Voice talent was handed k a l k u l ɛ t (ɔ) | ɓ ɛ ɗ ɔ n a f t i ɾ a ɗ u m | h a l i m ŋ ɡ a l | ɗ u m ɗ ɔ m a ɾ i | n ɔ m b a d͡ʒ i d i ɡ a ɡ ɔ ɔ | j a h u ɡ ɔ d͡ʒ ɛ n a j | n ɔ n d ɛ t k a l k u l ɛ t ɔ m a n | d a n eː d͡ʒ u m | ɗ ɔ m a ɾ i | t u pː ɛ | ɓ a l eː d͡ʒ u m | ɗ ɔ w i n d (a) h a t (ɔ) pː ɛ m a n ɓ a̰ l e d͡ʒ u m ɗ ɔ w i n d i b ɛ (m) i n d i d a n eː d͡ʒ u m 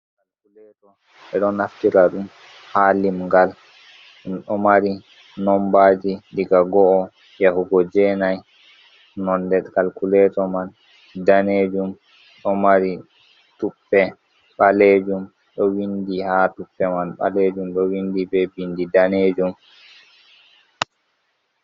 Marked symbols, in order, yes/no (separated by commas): yes, no, no, no